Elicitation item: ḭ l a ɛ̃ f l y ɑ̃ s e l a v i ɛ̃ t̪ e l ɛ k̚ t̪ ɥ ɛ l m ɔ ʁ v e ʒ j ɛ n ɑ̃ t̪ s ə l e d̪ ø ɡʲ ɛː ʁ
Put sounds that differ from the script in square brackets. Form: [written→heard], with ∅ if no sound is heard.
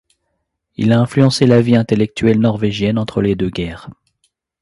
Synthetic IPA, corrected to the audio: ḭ l a ɛ̃ f l y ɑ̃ s e l a v i ɛ̃ t̪ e l ɛ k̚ t̪ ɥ ɛ l [m→n] ɔ ʁ v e ʒ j ɛ n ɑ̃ t̪ [s→χ] ə l e d̪ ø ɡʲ ɛː ʁ